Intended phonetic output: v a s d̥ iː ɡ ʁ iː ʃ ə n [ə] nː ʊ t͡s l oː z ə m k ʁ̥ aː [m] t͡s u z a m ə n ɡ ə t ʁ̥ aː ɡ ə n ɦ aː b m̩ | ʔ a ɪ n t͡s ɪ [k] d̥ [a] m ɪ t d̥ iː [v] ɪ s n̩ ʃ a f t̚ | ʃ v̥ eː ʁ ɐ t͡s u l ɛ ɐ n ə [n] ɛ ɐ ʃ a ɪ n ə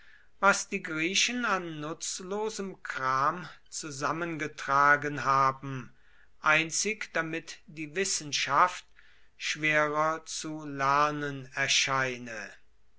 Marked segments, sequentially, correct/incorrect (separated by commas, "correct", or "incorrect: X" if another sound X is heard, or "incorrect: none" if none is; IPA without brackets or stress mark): incorrect: a, correct, correct, correct, correct, correct